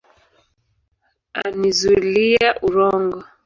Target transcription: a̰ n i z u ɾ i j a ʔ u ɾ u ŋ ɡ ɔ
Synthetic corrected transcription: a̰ n i z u l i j a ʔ u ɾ ɔ ŋ ɡ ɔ